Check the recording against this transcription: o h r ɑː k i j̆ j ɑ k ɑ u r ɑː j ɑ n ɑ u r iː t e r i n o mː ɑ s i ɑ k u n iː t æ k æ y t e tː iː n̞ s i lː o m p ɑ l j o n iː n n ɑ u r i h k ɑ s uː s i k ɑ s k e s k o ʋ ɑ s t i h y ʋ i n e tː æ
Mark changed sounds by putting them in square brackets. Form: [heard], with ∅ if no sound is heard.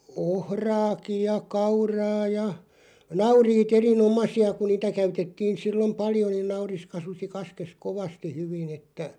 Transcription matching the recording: o h r ɑː k i j̆ j ɑ k ɑ u r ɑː j ɑ n ɑ u r iː t e r i n o [m] ɑ s i ɑ k u n iː t æ k æ y t e tː iː n̞ s i lː o m p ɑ l j o n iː n n ɑ u r i [s] k ɑ s [u] s i k ɑ s k e s k o ʋ ɑ s t i h y ʋ i n e tː æ